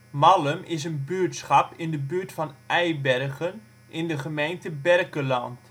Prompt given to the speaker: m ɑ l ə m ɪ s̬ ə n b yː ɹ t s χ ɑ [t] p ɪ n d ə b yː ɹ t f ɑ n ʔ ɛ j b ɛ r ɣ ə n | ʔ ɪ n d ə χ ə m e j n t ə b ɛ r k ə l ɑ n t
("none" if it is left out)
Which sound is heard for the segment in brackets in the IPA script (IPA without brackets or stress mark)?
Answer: none